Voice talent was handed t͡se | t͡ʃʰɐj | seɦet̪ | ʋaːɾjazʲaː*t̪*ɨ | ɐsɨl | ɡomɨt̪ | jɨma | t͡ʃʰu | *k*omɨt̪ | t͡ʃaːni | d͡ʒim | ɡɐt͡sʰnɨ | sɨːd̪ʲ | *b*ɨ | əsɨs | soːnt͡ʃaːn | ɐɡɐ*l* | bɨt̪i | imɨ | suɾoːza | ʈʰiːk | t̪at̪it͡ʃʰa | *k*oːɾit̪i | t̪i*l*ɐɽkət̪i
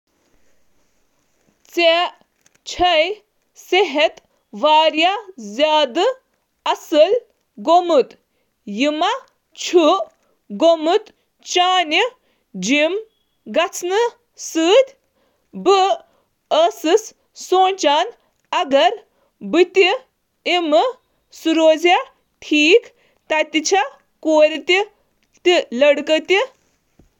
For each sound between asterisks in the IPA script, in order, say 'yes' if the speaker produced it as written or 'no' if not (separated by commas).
no, no, yes, no, yes, yes